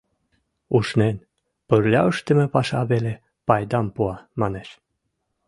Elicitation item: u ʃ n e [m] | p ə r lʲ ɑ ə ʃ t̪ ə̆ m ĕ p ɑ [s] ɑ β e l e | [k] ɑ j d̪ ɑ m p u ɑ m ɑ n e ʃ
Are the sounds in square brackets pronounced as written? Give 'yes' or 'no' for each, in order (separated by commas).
no, no, no